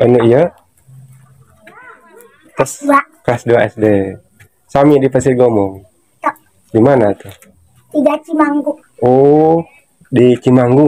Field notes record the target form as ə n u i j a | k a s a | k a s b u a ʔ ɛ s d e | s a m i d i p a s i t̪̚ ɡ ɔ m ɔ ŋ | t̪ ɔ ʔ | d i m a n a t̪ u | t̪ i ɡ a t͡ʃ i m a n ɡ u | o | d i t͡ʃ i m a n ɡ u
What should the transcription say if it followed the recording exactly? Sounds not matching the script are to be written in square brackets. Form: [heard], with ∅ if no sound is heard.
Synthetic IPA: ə n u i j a | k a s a | k a s [d] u a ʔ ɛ s d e | s a m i d i p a s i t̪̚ ɡ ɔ m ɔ ŋ | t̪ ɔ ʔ | d i m a n a t̪ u | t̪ i ɡ a t͡ʃ i m a [ŋ] ɡ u | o | d i t͡ʃ i m a [ŋ] ɡ u